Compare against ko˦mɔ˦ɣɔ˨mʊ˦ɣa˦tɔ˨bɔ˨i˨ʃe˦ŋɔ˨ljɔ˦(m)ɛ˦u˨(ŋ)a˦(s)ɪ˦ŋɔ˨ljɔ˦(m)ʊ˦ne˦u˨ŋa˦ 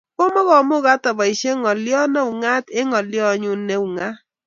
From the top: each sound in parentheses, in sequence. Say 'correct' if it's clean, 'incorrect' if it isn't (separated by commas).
incorrect, correct, incorrect, incorrect